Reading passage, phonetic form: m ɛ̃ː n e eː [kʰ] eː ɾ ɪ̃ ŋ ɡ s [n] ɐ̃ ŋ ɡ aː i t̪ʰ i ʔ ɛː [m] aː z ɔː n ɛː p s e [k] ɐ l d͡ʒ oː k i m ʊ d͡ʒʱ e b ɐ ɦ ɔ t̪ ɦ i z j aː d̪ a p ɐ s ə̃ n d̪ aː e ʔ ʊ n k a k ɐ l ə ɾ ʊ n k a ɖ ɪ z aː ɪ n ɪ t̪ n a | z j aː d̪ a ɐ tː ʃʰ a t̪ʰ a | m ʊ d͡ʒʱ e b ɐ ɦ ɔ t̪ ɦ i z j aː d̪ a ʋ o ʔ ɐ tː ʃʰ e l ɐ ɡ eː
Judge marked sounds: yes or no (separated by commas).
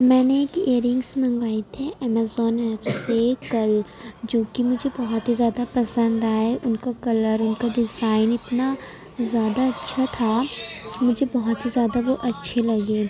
no, no, yes, yes